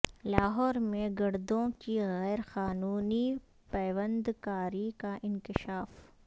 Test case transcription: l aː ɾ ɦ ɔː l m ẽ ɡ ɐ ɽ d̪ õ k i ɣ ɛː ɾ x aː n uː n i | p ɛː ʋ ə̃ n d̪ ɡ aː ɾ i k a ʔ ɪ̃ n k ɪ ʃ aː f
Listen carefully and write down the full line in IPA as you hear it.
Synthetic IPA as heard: l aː ɦ ɔː ɾ m ẽ ɡ ɐ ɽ d̪ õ k i ɣ ɛː ɾ x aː n uː n i | p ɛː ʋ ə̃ n d̪ k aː ɾ i k a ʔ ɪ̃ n k ɪ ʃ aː f